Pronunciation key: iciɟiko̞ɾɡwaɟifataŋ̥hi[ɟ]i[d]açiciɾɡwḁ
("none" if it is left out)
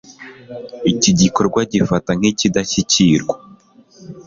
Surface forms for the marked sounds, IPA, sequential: c, d

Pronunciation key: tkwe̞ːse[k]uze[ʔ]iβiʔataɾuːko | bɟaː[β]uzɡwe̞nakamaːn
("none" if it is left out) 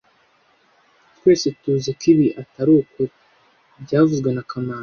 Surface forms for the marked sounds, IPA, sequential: t, k, v

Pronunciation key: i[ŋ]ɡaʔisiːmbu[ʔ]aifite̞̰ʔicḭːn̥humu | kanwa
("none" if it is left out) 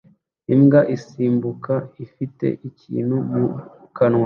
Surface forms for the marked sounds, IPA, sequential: m, k

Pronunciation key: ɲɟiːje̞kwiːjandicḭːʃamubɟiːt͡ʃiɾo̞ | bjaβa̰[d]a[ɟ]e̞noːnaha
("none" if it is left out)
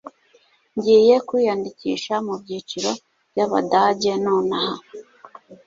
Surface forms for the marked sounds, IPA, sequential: d, ɟ

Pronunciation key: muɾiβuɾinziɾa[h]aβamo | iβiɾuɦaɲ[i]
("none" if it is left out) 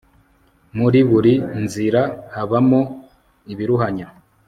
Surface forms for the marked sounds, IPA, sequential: h, a

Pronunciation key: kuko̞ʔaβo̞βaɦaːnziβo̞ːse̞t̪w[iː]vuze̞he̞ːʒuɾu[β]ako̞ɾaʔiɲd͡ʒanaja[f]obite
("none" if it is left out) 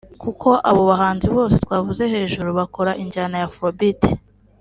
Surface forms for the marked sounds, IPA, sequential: aː, β, f

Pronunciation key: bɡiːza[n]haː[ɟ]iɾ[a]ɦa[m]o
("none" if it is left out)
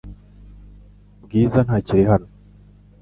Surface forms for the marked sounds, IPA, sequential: n, c, i, n

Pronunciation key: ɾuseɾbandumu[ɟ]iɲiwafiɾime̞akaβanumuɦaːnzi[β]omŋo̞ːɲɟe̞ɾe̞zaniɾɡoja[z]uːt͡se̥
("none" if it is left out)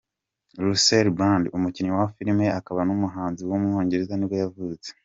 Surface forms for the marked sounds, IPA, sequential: c, w, v

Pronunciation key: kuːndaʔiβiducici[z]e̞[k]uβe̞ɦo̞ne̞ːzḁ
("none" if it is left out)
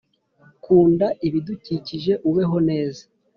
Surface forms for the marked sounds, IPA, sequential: ʒ, ʔ

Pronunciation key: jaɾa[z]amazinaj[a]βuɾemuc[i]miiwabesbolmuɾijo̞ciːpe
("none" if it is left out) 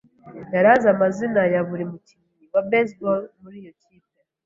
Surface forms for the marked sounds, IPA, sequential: z, a, i

